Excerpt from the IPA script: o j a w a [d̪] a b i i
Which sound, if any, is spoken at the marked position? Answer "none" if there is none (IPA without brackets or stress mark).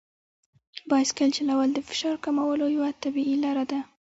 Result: t̪